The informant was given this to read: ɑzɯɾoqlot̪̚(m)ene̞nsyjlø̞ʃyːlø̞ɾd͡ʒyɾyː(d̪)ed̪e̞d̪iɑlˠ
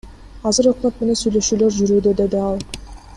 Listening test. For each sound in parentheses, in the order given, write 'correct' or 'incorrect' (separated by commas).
correct, correct